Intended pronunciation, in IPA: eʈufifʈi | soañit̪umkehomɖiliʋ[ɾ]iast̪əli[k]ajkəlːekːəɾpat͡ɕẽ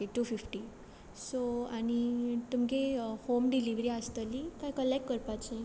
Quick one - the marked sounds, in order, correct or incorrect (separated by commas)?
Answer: correct, correct